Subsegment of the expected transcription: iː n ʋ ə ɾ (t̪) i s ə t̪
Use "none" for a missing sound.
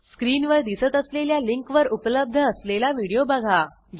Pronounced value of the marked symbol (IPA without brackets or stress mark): d̪